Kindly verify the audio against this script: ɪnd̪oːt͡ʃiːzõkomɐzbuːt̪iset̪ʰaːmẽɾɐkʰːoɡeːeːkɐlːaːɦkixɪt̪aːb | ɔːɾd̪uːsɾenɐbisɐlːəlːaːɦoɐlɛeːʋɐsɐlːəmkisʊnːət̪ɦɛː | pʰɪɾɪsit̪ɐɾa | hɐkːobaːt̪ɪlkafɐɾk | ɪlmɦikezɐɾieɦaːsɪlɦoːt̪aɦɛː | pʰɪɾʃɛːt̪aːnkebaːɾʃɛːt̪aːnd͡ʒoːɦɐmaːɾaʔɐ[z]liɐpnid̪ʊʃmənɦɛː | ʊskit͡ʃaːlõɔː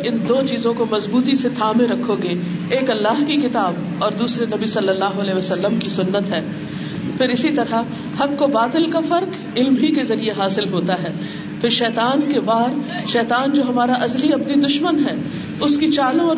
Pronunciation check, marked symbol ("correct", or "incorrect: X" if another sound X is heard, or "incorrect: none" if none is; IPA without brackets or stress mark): correct